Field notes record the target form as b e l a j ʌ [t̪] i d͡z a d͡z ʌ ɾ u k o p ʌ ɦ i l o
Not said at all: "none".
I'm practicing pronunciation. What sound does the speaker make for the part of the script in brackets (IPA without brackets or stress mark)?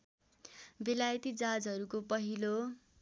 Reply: t̪